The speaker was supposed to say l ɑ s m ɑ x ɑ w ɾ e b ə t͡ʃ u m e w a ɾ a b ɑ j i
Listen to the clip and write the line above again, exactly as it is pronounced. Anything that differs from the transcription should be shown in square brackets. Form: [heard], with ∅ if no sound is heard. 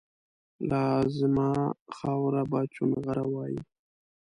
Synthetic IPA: l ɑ [z] m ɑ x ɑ w ɾ [a] b [ɑ] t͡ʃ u m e [ɣ] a ɾ a [w] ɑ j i